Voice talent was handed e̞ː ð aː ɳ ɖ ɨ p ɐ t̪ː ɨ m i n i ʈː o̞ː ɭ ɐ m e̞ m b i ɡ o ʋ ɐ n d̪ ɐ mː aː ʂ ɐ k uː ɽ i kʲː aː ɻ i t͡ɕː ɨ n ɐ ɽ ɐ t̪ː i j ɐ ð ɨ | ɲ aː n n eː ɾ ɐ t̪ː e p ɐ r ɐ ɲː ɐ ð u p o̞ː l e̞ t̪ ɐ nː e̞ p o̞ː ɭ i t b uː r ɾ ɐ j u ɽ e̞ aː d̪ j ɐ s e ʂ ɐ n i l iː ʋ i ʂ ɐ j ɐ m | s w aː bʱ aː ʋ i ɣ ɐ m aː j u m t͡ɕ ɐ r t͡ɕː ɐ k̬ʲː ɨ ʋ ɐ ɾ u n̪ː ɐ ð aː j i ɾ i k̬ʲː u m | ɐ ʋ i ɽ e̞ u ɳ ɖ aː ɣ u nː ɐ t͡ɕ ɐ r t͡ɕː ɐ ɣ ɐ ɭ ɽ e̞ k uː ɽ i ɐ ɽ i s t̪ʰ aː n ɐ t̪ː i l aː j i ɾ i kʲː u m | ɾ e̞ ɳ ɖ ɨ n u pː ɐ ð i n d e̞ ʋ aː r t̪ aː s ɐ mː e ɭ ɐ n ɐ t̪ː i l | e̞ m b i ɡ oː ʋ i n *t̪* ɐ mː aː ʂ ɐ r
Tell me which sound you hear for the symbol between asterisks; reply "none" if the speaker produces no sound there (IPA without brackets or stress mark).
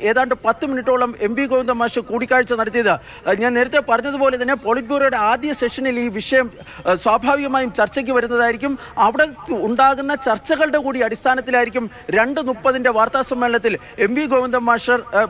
d̪